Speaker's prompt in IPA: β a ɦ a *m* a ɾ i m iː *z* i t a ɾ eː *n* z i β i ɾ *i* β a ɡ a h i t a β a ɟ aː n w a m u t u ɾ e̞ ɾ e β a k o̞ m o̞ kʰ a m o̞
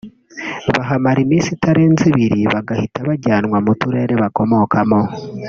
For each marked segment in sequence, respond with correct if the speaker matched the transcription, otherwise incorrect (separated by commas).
correct, incorrect, correct, correct